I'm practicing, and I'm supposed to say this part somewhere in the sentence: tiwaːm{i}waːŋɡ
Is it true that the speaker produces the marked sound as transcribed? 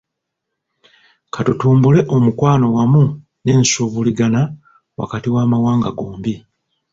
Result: no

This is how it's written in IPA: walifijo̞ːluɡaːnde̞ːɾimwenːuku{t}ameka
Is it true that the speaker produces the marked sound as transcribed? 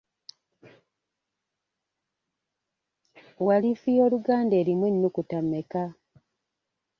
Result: yes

